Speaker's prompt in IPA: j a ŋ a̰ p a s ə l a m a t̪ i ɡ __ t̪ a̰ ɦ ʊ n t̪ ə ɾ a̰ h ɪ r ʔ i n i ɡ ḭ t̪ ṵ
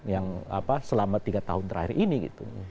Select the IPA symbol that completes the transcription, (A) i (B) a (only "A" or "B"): B